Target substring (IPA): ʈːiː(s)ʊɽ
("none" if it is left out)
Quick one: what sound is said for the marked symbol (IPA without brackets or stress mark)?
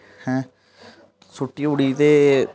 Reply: none